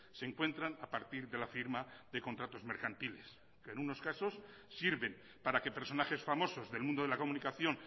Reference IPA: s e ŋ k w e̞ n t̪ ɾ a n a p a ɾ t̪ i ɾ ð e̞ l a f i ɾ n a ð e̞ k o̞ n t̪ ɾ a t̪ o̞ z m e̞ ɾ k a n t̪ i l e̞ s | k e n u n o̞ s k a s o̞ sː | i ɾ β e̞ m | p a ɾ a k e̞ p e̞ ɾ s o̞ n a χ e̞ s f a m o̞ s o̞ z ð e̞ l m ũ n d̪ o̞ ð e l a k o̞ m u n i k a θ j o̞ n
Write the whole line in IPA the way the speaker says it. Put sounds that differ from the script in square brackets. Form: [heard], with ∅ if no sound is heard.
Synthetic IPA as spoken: s e ŋ k w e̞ n t̪ ɾ a n a p a ɾ t̪ i ɾ ð e̞ l a f i ɾ [m] a ð e̞ k o̞ n t̪ ɾ a t̪ o̞ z m e̞ ɾ k a n t̪ i l e̞ s | k e n u n o̞ s k a s o̞ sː | i ɾ β e̞ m | p a ɾ a k e̞ p e̞ ɾ s o̞ n a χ e̞ s f a m o̞ s o̞ z ð e̞ l m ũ n d̪ o̞ ð e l a k o̞ m u n i k a θ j o̞ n